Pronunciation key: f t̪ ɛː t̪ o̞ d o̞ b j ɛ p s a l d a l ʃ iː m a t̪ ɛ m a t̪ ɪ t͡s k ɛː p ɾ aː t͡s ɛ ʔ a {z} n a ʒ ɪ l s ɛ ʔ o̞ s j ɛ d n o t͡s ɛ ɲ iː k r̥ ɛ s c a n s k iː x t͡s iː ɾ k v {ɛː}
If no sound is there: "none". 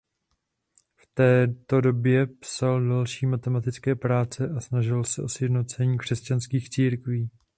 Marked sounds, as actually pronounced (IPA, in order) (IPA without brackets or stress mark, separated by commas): s, iː